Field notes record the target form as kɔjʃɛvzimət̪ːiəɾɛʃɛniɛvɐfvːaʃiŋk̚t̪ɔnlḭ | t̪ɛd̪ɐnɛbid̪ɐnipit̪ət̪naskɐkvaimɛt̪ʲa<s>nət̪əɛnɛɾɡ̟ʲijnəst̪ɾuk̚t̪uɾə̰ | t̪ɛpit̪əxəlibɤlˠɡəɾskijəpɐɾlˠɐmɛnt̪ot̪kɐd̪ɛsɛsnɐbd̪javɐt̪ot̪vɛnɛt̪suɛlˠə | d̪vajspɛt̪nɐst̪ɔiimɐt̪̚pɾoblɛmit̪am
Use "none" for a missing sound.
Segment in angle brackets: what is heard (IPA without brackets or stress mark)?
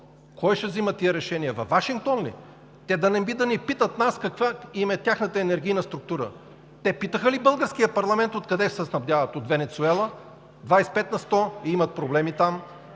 x